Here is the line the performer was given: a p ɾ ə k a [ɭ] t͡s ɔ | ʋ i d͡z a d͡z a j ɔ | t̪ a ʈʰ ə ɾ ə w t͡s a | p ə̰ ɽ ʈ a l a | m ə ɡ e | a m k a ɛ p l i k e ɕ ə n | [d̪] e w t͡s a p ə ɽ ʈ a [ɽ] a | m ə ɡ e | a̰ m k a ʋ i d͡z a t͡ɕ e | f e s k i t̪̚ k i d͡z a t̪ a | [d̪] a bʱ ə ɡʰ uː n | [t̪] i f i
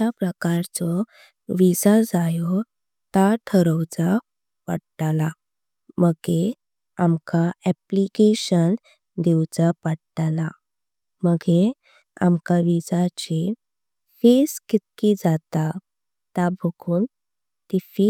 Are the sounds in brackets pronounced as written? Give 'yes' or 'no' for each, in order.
no, yes, no, no, yes

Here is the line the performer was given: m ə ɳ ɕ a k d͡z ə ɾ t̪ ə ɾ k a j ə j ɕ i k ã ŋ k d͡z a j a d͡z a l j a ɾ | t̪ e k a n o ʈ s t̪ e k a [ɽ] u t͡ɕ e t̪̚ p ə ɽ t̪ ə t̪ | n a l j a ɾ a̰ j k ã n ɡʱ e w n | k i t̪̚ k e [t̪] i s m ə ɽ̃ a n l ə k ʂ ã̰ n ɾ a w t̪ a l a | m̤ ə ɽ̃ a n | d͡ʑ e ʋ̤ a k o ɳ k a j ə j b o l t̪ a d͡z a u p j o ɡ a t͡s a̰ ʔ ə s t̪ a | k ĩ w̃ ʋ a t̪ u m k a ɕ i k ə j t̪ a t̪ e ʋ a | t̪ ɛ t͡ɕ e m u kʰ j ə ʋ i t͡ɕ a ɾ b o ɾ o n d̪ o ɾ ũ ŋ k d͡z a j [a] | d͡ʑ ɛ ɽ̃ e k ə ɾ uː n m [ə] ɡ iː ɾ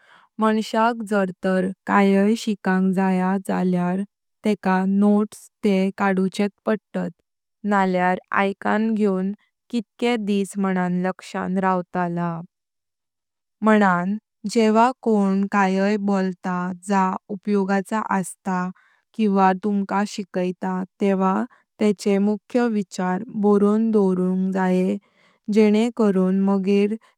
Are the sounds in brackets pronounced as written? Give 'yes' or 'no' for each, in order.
yes, no, no, yes

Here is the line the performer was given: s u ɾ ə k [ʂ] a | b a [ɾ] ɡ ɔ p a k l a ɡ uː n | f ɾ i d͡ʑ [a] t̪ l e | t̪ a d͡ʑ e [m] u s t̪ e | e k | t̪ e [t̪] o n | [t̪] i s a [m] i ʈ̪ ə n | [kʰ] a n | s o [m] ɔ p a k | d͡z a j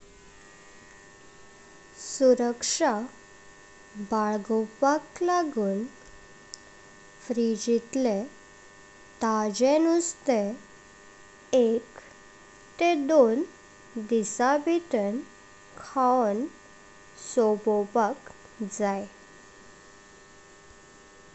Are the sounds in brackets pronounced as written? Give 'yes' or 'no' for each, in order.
yes, no, no, no, no, no, no, yes, no

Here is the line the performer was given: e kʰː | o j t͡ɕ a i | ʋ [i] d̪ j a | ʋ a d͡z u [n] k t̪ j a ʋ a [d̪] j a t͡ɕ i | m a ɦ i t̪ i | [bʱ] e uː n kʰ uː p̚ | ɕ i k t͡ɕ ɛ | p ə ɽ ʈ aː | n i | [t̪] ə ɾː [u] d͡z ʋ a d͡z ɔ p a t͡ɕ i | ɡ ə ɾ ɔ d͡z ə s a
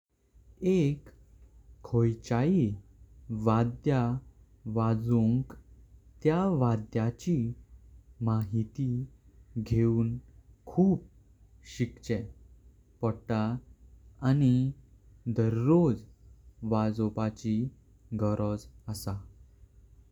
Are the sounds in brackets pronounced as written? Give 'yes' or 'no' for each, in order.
no, no, yes, no, no, no

